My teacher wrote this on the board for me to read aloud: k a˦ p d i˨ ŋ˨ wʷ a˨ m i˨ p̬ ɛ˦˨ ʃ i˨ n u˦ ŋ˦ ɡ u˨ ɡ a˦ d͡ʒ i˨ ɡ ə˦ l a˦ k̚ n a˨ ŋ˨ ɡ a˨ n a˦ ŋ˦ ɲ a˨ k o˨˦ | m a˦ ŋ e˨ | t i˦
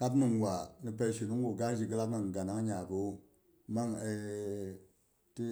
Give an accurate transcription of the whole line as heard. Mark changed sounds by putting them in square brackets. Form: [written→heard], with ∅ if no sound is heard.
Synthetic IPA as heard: k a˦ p [d→n] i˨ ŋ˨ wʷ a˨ [m→n] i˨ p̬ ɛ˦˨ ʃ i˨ n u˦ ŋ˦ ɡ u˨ ɡ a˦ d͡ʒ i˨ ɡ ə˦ l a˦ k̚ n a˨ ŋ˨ ɡ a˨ n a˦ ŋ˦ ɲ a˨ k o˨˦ | m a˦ ŋ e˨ | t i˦